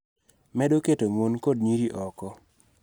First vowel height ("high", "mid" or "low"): mid